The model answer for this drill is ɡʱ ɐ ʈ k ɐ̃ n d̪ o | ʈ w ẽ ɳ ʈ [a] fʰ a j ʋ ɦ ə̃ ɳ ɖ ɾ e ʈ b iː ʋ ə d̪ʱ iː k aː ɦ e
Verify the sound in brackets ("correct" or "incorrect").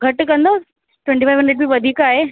incorrect